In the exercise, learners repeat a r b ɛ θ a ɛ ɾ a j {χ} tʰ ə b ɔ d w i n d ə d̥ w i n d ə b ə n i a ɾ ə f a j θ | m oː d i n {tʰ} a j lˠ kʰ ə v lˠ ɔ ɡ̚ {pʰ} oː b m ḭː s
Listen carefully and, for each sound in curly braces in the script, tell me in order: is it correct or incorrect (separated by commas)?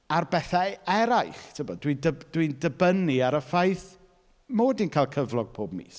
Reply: correct, incorrect, correct